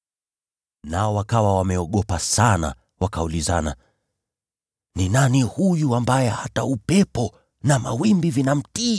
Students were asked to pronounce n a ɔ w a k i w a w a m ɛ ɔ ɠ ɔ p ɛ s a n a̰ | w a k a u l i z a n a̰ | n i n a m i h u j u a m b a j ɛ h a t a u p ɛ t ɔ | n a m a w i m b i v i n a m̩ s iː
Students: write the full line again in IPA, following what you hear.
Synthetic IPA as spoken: n a ɔ w a k a w a w a m ɛ ɔ ɠ ɔ p a s a n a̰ | w a k a u l i z a n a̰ | n i n a n i h u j u a m b a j ɛ h a t a u p ɛ p ɔ | n a m a w i m b i v i n a m̩ t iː

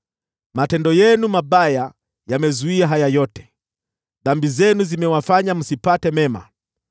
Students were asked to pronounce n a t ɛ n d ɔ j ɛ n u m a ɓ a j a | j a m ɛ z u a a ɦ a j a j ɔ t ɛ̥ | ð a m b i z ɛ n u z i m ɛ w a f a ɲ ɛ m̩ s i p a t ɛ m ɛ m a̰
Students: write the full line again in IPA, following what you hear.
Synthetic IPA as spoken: m a t ɛ n d ɔ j ɛ n u m a ɓ a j a | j a m ɛ z u i a ɦ a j a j ɔ t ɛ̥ | ð a m b i z ɛ n u z i m ɛ w a f a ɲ a m̩ s i p a t ɛ m ɛ m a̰

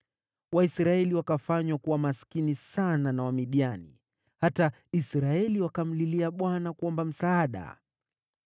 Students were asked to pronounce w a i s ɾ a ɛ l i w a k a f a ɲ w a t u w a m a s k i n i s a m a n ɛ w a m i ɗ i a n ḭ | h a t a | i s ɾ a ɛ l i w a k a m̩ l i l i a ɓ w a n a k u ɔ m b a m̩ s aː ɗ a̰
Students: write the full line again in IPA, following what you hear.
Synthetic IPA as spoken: w a i s ɾ a ɛ l i w a k a f a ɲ w a k u w a m a s k i n i s a n a n a w a m i ɗ i a n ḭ | h a t a | i s ɾ a ɛ l i w a k a m̩ l i l i a ɓ w a n a k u ɔ m b a m̩ s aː ɗ a̰

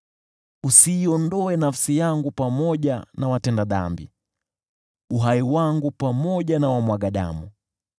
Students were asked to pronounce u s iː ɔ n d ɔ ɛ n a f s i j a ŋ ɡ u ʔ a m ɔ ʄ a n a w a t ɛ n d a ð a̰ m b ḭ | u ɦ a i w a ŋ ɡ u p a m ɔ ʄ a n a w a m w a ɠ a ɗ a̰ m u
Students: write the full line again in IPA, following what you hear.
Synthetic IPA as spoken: u s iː ɔ n d ɔ ɛ n a f s i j a ŋ ɡ u p a m ɔ ʄ a n a w a t ɛ n d a ð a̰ m b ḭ | u ɦ a i w a ŋ ɡ u p a m ɔ ʄ a n a w a m w a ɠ a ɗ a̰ m u

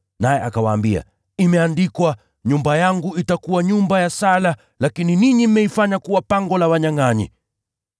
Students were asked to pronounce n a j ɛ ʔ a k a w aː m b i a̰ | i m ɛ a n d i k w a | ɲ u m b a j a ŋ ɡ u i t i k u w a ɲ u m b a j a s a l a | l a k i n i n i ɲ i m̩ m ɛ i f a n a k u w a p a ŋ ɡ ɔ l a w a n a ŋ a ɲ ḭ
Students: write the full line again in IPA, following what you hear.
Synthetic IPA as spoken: n a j ɛ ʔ a k a w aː m b i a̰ | i m ɛ a n d i k w a | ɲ u m b a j a ŋ ɡ u i t a k u w a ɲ u m b a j a s a l a | l a k i n i n i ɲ i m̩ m ɛ i f a ɲ a k u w a p a ŋ ɡ ɔ l a w a ɲ a ŋ a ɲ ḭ

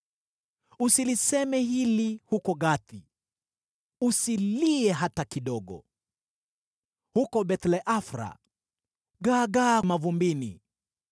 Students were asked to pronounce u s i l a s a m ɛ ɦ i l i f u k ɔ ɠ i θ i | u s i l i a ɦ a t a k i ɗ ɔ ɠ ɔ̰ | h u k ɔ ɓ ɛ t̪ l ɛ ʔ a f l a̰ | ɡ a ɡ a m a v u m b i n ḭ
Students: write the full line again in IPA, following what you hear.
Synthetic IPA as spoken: u s i l i s ɛ m ɛ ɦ i l i h u k ɔ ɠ a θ i | u s i l i ɛ ɦ a t a k i ɗ ɔ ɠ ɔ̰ | h u k ɔ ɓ ɛ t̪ l ɛ ʔ a f ɾ a̰ | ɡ a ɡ a m a v u m b i n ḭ

